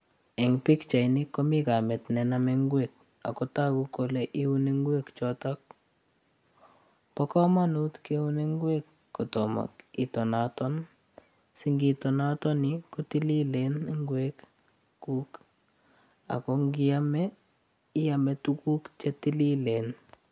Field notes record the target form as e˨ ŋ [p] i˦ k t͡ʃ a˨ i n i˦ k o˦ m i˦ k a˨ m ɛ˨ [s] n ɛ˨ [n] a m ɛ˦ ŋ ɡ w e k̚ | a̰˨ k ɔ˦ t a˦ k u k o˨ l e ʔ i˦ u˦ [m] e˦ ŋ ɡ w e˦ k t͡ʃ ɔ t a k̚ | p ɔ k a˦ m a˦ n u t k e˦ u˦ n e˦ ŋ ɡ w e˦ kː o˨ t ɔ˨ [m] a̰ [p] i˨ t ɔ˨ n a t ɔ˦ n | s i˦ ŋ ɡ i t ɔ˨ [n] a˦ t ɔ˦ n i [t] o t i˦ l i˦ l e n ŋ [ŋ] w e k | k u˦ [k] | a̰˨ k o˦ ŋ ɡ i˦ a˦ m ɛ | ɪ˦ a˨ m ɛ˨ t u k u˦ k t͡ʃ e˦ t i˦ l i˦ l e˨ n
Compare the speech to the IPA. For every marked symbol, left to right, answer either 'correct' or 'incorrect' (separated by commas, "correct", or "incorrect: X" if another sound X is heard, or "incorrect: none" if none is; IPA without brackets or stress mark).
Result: correct, incorrect: t, correct, incorrect: n, correct, incorrect: k, correct, incorrect: k, incorrect: ɡ, correct